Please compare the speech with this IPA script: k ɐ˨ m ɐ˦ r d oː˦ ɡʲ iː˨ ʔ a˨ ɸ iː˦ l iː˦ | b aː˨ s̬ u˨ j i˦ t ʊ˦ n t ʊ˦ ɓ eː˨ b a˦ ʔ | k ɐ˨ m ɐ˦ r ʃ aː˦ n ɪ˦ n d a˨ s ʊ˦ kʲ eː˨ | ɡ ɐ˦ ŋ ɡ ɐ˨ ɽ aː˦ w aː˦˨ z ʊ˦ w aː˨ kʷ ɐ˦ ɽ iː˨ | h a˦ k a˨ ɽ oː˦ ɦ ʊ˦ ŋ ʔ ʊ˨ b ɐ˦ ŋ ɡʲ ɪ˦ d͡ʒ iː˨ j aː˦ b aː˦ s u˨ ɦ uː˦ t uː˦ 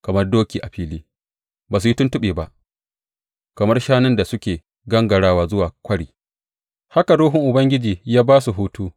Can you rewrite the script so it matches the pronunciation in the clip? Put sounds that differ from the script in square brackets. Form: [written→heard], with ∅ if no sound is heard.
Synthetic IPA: k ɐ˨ m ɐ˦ r d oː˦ [ɡʲ→kʲ] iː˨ ʔ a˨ ɸ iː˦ l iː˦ | b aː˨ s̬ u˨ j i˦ t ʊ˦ n t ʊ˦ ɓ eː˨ b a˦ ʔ | k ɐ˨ m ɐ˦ r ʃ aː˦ n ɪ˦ n d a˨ s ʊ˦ kʲ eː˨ | ɡ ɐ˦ ŋ ɡ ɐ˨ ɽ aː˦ w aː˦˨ z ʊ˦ w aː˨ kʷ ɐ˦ ɽ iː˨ | h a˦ k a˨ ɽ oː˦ ɦ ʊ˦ ŋ ʔ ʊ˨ b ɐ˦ ŋ ɡʲ ɪ˦ d͡ʒ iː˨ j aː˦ b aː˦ s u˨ ɦ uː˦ t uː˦